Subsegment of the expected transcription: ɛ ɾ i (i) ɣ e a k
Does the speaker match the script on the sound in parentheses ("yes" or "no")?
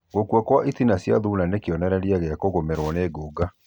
no